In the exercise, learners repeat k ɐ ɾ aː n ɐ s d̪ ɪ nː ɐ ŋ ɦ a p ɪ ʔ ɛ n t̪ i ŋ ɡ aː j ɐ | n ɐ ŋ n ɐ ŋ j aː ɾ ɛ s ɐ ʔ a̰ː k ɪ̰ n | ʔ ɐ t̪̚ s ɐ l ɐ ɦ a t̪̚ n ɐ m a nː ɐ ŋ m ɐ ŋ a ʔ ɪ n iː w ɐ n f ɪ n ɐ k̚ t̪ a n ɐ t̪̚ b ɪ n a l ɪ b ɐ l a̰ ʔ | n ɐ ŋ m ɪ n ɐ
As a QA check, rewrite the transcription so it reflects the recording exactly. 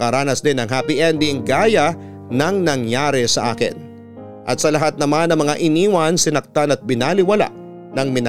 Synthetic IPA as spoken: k ɐ ɾ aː n ɐ s d̪ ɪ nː ɐ ŋ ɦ a p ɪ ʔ ɛ n d̪ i ŋ ɡ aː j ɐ | n ɐ ŋ n ɐ ŋ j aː ɾ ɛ s ɐ ʔ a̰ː k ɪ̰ n | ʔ ɐ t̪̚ s ɐ l ɐ ɦ a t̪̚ n ɐ m a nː ɐ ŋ m ɐ ŋ a ʔ ɪ n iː w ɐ n s ɪ n ɐ k̚ t̪ a n ɐ t̪̚ b ɪ n a l ɪ w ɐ l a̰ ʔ | n ɐ ŋ m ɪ n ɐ